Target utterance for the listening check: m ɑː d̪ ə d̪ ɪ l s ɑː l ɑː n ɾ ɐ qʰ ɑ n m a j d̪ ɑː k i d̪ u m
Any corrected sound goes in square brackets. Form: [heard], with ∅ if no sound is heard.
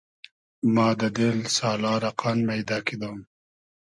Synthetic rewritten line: m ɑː d̪ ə d̪ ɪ l s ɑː l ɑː [∅] ɾ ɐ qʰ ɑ n m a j d̪ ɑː k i d̪ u m